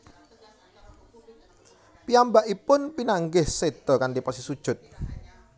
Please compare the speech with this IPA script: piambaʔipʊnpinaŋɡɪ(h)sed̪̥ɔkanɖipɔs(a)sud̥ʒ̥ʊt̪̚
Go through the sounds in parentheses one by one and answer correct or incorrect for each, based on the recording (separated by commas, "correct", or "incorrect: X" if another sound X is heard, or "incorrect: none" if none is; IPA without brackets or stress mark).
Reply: correct, incorrect: i